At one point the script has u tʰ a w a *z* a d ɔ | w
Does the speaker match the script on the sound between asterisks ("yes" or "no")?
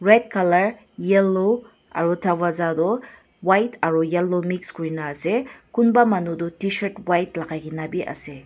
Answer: yes